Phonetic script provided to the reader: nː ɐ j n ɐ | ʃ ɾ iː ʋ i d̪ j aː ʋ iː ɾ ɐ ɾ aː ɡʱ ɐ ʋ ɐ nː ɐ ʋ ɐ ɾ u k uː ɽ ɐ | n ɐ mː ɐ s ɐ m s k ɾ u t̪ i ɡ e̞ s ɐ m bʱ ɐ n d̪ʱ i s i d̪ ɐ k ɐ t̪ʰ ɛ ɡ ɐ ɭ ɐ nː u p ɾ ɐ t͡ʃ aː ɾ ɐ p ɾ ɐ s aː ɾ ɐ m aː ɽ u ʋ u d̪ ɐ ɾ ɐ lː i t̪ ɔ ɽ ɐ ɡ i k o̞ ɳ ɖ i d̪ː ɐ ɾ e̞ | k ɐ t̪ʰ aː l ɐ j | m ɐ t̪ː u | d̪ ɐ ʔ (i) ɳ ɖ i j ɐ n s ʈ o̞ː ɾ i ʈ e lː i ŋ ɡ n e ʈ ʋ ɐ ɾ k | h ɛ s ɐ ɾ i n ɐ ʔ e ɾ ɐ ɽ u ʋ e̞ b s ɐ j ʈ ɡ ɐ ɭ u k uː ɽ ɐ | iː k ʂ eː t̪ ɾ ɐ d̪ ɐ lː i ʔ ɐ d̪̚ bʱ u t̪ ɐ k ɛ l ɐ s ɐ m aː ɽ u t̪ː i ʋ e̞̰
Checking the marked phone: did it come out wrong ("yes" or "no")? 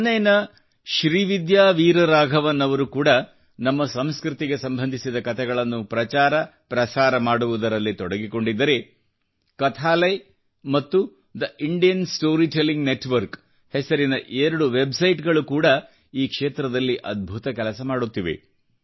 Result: no